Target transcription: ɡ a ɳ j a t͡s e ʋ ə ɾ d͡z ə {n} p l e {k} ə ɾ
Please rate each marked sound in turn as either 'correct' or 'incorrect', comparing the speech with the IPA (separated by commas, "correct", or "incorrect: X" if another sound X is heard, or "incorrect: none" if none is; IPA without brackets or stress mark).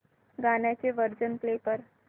correct, incorrect: p